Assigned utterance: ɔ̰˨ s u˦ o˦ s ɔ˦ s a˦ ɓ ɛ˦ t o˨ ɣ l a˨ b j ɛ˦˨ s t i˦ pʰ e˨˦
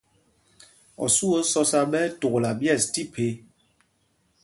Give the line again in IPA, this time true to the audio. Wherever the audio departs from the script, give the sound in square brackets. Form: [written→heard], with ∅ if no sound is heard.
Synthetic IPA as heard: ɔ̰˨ s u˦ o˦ s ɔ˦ s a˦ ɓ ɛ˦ t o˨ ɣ l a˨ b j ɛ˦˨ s t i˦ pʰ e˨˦

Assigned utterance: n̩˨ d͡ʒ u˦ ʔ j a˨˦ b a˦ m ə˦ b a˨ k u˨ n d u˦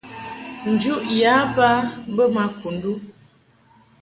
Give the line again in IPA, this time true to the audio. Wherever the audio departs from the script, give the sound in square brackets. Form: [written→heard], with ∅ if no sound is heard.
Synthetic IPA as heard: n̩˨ d͡ʒ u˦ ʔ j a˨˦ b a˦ [m→b] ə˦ [b→m] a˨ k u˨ n d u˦

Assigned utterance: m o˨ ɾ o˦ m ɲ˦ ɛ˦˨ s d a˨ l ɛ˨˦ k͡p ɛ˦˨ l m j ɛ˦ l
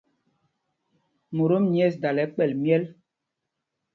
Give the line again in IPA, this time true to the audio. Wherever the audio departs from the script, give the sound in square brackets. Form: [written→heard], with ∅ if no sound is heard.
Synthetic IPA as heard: m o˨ ɾ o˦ m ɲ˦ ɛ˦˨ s d a˨ l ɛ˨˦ k͡p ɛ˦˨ l m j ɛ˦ l

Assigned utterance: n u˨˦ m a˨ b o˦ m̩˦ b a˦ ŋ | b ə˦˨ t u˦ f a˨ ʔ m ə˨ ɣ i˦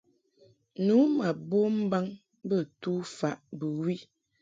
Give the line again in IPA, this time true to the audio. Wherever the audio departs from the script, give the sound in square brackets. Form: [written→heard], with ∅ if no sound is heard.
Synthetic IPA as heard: n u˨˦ m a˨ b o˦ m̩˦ b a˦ ŋ | b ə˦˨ t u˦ f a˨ ʔ [m→b] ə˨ [ɣ→w] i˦

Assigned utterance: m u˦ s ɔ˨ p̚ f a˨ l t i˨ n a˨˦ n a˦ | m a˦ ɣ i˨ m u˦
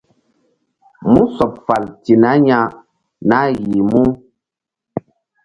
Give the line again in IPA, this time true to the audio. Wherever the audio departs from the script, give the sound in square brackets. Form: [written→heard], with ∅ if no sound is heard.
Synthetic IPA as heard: m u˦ s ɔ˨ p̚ f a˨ l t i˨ n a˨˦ [n→ɲ] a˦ | [m→n] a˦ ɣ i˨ m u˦

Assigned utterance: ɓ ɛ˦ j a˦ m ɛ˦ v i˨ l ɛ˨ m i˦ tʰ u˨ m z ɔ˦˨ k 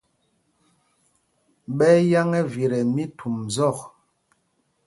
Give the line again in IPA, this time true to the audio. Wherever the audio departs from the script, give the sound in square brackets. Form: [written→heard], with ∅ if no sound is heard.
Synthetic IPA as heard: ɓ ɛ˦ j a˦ [m→ŋ] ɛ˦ v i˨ [l→ɾ] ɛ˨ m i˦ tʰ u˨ m z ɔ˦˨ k

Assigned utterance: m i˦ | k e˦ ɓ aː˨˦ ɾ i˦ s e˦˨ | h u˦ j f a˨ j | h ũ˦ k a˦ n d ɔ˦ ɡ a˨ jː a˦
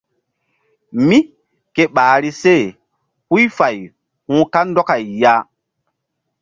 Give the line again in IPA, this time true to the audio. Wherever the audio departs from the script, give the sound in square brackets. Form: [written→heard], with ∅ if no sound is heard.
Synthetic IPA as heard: m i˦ | k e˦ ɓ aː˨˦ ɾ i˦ s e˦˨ | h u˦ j f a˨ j | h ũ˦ k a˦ n d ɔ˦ [ɡ→k] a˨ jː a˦

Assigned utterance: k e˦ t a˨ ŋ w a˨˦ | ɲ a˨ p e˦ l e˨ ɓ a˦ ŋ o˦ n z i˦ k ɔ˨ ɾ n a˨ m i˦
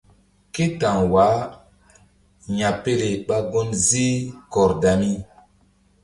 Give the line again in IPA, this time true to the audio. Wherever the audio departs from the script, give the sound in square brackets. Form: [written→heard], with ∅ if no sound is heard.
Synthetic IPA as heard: k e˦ t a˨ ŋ w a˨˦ | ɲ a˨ p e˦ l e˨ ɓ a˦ [ŋ→ɡ] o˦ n z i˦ k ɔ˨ ɾ [n→d] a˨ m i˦

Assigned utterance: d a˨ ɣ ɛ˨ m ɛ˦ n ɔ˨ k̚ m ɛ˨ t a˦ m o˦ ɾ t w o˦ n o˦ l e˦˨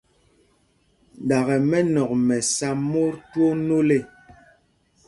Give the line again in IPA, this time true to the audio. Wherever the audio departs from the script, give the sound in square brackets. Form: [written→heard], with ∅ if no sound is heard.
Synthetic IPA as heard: d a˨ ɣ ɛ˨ m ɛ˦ n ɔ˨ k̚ m ɛ˨ [t→s] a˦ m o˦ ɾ t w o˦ n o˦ l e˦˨

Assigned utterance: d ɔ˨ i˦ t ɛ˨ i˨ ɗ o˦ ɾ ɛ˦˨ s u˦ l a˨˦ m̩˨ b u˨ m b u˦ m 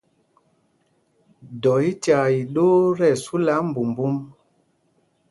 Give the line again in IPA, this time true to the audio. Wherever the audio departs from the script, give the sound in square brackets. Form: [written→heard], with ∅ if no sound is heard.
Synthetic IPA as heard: d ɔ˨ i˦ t [ɛ˨→a˨] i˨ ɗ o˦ ɾ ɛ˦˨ s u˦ l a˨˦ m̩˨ b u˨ m b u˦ m

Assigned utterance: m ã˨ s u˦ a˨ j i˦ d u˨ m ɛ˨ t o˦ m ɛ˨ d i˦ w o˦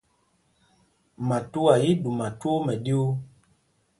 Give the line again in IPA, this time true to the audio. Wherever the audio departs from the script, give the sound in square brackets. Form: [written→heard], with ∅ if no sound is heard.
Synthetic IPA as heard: m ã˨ [s→t] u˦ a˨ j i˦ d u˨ m [ɛ˨→a˨] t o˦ m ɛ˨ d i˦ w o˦

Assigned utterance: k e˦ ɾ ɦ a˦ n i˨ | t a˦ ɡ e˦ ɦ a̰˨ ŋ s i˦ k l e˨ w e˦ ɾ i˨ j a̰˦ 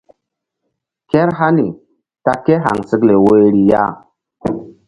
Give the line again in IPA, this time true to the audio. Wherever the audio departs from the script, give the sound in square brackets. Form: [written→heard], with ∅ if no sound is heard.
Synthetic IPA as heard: k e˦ ɾ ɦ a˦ n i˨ | t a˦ [ɡ→k] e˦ ɦ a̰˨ ŋ s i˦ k l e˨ w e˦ ɾ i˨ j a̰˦

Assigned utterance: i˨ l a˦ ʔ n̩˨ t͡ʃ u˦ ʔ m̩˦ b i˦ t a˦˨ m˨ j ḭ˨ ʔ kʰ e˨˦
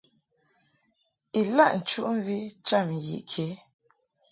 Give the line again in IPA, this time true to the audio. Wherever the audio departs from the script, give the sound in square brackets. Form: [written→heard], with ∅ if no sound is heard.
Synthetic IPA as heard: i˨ l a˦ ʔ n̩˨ t͡ʃ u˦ ʔ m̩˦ [b→v] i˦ [t→t͡ʃ] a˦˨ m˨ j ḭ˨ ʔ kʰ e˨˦

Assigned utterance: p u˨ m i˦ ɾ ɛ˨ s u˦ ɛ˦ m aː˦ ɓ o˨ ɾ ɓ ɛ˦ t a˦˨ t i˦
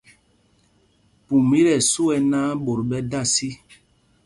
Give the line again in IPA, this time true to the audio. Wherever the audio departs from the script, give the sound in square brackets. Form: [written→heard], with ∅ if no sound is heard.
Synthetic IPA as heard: p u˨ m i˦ ɾ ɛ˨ s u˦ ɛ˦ [m→n] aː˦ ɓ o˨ ɾ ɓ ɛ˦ [t→d] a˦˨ [t→s] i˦

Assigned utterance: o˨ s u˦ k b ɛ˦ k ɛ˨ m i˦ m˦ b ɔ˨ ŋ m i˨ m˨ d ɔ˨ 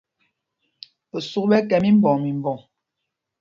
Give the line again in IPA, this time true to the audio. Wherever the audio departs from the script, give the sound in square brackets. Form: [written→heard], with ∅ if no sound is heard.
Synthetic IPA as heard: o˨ s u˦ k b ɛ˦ k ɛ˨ m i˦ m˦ b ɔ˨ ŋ m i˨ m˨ [d→b] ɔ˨

